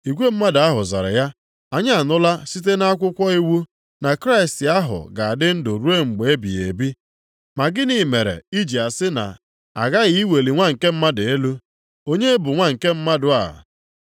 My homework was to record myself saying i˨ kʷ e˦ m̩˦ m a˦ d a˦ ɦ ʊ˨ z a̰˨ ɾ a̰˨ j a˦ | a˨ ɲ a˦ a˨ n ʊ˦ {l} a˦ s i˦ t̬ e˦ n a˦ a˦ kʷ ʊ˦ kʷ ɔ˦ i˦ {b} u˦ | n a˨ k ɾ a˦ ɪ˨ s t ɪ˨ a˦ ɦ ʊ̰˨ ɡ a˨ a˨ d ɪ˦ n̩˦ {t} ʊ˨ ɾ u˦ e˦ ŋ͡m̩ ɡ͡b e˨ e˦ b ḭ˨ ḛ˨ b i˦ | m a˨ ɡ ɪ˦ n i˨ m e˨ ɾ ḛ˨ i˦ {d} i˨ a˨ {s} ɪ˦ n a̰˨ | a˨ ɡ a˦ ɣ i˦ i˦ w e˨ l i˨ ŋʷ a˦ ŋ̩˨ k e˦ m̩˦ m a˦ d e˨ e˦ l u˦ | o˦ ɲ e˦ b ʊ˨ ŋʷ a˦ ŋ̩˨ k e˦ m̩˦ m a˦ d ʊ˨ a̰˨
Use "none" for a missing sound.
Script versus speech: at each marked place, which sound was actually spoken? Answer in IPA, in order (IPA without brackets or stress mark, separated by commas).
l, w, d, d͡ʒ, s